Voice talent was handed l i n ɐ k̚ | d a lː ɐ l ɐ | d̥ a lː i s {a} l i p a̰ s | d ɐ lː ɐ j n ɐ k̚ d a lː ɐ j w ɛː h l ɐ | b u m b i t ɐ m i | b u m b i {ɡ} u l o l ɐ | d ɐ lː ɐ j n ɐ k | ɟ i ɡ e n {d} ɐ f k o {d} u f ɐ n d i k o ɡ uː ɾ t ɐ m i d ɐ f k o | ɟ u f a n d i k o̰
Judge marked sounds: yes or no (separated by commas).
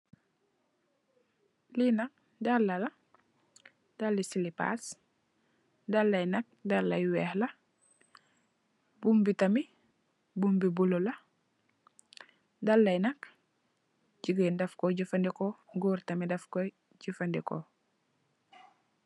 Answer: no, no, yes, no